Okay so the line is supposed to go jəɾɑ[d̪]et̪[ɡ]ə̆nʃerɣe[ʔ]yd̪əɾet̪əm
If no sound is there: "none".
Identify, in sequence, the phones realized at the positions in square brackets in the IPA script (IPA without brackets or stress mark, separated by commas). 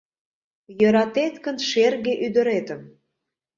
t̪, k, ʔ